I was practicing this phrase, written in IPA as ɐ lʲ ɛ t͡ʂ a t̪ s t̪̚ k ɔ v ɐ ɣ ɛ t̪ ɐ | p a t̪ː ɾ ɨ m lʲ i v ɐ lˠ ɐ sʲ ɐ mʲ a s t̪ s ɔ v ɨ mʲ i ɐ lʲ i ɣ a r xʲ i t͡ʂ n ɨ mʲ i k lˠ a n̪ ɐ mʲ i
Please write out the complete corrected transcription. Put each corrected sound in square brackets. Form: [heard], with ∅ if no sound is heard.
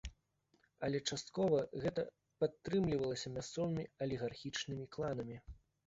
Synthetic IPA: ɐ lʲ ɛ t͡ʂ a [∅] s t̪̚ k ɔ v ɐ ɣ ɛ t̪ ɐ | p a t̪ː ɾ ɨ m lʲ i v ɐ lˠ ɐ sʲ ɐ mʲ a s t̪ s ɔ v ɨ mʲ i ɐ lʲ i ɣ a r xʲ i t͡ʂ n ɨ mʲ i k lˠ a n̪ ɐ mʲ i